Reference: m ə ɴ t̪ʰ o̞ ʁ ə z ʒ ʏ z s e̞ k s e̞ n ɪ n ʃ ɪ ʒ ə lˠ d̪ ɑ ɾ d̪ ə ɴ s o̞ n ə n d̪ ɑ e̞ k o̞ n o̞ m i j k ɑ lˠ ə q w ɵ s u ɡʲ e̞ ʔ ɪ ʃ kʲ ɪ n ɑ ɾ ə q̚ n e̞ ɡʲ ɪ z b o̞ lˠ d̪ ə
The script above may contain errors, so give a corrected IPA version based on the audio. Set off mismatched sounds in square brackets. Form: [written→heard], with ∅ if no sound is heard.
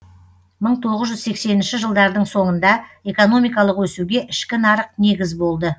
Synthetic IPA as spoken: m ə ɴ t̪ʰ o̞ ʁ ə z ʒ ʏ z s e̞ k s e̞ n ɪ n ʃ ɪ ʒ ə lˠ d̪ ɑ ɾ d̪ ə ɴ s o̞ [n→ɴ] ə n d̪ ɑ e̞ k o̞ n o̞ m i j k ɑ lˠ ə q w ɵ s u ɡʲ e̞ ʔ ɪ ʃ kʲ ɪ n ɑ ɾ ə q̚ n e̞ ɡʲ ɪ z b o̞ lˠ d̪ ə